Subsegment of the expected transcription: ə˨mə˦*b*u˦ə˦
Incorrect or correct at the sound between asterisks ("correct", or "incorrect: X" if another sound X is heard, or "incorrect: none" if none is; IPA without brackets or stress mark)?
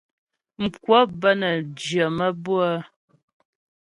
correct